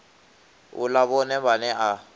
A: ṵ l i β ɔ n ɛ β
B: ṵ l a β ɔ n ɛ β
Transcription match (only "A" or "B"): B